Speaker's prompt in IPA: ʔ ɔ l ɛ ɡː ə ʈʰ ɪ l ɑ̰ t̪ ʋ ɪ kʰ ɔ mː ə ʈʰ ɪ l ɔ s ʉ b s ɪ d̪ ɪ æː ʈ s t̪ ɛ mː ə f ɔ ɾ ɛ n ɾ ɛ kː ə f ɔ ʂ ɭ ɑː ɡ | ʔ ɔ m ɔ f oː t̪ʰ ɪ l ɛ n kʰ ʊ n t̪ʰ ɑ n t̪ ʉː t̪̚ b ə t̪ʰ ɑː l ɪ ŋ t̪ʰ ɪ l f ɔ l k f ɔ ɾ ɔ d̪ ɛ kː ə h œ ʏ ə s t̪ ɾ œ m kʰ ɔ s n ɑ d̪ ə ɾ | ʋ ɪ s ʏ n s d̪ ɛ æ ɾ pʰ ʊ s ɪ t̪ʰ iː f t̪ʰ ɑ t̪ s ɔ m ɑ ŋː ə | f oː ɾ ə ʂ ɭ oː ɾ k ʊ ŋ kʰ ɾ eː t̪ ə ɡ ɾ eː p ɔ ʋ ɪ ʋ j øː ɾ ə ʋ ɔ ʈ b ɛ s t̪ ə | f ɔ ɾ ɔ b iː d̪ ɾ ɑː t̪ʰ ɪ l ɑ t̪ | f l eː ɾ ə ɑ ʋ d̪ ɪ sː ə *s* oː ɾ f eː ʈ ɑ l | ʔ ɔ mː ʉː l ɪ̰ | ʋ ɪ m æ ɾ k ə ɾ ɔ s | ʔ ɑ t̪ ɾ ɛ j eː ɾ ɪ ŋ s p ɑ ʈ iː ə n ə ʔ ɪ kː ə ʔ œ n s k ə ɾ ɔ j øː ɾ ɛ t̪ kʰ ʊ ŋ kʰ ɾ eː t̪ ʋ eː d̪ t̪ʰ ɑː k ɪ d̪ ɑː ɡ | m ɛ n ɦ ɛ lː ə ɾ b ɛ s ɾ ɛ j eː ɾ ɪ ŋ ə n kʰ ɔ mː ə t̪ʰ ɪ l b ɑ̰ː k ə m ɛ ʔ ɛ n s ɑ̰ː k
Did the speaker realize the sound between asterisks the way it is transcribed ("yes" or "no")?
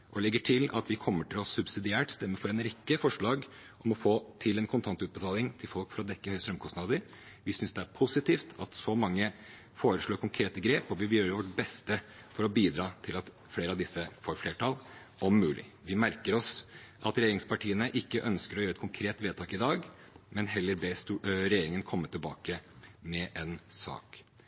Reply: no